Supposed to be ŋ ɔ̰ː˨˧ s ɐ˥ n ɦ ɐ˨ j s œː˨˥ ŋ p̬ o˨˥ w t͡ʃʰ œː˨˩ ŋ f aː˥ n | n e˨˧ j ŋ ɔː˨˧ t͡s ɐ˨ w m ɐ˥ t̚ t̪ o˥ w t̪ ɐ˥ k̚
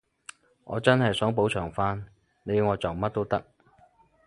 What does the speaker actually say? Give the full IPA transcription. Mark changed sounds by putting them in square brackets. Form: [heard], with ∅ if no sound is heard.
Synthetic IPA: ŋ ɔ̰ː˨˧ [t͡s] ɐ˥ n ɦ ɐ˨ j s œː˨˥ ŋ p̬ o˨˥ w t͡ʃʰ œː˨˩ ŋ f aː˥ n | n e˨˧ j ŋ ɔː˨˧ t͡s ɐ˨ w m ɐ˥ t̚ t̪ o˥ w t̪ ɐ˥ k̚